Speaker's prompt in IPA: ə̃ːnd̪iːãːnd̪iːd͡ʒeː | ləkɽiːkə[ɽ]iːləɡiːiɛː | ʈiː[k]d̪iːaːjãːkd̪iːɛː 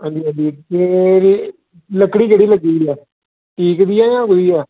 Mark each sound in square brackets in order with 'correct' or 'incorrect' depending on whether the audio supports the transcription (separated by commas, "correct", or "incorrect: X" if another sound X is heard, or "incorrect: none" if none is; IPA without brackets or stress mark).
correct, correct